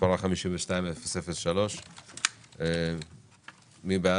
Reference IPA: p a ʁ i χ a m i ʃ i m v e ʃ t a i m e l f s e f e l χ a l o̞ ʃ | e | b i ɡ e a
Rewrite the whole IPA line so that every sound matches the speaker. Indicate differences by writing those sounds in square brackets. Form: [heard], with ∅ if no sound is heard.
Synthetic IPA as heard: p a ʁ [a] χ a m i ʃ i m v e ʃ t a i m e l f s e f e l [ʃ] a l o̞ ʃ | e | [m] i [b] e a